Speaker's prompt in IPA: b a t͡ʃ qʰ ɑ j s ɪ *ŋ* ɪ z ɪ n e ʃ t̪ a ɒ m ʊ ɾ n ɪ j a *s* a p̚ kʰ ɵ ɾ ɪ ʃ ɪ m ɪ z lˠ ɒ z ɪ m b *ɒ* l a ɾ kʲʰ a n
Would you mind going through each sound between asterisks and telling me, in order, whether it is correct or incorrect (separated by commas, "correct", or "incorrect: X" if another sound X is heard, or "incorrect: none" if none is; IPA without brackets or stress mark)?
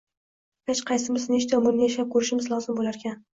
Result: incorrect: m, incorrect: ʃ, incorrect: o